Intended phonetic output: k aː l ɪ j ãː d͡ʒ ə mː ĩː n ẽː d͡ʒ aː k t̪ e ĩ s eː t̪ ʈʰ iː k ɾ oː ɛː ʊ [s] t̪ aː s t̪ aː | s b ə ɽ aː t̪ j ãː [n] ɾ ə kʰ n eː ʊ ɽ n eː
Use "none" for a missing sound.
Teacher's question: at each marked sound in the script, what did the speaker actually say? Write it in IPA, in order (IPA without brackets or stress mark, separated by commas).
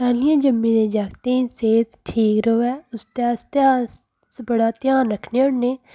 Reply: s, n